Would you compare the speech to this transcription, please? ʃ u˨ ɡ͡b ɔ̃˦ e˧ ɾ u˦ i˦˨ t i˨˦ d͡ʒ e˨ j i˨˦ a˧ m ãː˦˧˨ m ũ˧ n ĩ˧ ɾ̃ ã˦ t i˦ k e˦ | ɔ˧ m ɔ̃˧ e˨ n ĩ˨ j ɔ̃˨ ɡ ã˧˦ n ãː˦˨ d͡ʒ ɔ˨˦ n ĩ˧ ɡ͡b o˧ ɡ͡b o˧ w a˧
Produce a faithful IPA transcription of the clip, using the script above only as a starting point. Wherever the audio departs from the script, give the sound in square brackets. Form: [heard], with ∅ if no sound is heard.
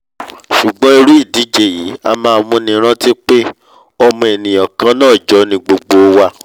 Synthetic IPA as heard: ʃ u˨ ɡ͡b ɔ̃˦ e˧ ɾ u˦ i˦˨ [d] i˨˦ d͡ʒ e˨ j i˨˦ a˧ m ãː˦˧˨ m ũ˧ n ĩ˧ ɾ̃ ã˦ t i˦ [k͡p] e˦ | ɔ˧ m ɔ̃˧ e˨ n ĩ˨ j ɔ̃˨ [k] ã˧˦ n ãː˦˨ d͡ʒ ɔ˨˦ n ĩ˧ ɡ͡b o˧ ɡ͡b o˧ w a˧